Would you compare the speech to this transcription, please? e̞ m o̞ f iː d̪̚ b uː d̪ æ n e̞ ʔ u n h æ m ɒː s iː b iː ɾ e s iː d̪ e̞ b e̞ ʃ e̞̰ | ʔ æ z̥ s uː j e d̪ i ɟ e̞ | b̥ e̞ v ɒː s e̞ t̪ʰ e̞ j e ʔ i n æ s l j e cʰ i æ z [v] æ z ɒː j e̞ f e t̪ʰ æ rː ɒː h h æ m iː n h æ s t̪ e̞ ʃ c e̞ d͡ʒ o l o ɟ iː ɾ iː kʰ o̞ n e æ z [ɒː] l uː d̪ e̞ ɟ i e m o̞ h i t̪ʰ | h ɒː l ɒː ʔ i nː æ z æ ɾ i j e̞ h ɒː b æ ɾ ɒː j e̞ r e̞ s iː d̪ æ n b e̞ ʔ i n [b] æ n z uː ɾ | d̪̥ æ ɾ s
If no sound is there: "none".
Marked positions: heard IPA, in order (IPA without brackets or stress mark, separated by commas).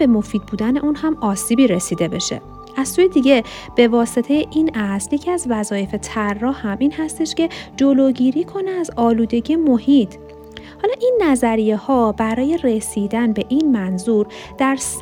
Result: v, ɒː, m